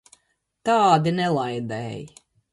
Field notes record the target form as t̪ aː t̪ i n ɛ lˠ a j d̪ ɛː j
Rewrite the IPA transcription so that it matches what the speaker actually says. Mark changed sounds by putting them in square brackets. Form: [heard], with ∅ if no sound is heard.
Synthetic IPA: t̪ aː [d̪] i n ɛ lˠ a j d̪ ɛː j